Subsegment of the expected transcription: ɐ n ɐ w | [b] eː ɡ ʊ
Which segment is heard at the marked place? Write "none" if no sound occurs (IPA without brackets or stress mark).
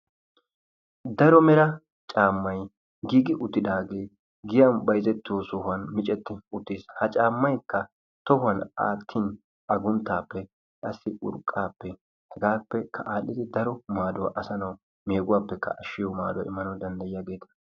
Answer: m